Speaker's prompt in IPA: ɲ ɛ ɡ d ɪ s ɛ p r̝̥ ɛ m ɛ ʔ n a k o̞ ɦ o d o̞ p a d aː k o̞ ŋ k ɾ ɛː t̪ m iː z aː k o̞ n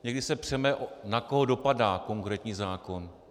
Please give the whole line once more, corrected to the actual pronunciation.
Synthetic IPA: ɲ ɛ ɡ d ɪ s ɛ p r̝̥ ɛ m ɛ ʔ n a k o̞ ɦ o d o̞ p a d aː k o̞ ŋ k ɾ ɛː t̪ ɲ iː z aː k o̞ n